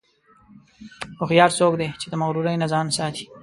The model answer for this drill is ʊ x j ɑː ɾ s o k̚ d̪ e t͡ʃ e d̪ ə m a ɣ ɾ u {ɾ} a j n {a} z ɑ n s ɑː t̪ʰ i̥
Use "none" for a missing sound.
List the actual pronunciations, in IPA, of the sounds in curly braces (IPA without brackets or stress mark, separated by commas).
ɾ, a